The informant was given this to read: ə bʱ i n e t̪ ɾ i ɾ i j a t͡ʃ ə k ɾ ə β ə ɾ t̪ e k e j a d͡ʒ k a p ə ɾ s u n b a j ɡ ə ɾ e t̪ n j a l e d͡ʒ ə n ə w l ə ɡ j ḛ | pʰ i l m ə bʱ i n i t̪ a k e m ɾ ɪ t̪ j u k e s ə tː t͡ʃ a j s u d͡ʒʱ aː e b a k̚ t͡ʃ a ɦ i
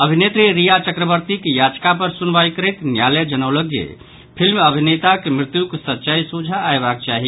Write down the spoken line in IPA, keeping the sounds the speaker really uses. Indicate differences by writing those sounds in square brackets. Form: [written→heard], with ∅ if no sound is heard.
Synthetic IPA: ə bʱ i n e t̪ ɾ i ɾ i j a t͡ʃ ə k ɾ ə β ə ɾ t̪ [e→i] k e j a d͡ʒ k a p ə ɾ s u n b a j [ɡ→k] ə ɾ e t̪ n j a l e d͡ʒ ə n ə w l ə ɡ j ḛ | pʰ i l m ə bʱ i n [i→e] t̪ a k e m ɾ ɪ t̪ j u k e s ə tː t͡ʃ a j s u d͡ʒʱ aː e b a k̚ t͡ʃ a ɦ i